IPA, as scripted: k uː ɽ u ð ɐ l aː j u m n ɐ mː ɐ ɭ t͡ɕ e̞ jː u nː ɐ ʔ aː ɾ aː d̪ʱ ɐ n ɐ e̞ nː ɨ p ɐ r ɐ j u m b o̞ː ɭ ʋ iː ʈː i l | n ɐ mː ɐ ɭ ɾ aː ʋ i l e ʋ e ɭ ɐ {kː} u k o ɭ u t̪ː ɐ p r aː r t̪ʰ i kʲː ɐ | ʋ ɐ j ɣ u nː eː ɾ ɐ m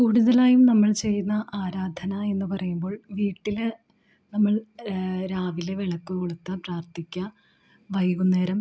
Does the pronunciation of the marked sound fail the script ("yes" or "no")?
no